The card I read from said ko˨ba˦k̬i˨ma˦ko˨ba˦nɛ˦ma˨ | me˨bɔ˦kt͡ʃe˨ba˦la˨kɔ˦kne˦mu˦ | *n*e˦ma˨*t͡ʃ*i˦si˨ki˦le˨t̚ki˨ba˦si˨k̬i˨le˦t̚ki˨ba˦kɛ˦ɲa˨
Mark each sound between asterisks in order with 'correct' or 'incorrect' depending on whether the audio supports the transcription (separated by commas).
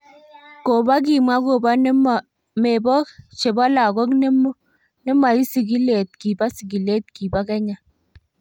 correct, incorrect